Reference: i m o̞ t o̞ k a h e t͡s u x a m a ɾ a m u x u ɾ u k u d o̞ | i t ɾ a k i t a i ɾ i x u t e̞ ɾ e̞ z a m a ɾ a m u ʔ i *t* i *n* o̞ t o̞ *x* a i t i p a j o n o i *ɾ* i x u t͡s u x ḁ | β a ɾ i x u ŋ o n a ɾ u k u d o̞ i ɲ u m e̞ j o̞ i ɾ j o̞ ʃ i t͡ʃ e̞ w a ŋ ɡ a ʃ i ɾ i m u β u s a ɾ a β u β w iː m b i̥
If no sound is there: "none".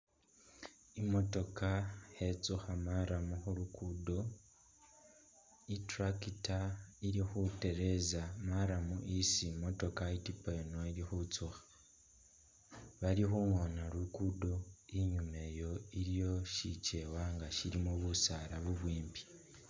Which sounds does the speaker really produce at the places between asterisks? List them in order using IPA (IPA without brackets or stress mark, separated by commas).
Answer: s, m, k, ɾ